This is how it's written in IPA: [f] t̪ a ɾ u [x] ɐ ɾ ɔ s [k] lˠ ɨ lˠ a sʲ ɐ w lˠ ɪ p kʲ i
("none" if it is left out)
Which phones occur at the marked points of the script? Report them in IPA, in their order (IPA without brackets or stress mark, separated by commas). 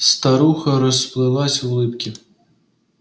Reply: s, x, p